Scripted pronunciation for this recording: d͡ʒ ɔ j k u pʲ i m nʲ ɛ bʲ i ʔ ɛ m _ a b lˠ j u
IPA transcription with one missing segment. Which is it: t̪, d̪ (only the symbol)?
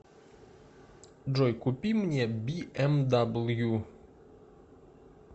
d̪